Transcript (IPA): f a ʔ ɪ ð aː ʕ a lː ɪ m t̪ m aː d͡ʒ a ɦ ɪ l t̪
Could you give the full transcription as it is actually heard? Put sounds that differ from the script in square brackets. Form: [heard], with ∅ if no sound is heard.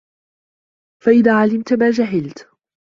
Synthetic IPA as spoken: f a ʔ ɪ ð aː ʕ a [l] ɪ m t̪ m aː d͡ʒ a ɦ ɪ l t̪